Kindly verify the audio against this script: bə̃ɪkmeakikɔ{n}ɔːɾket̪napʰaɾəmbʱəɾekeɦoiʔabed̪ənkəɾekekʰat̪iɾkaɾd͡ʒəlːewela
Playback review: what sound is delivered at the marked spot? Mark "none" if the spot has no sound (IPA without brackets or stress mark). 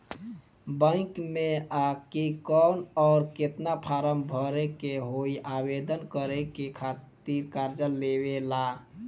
n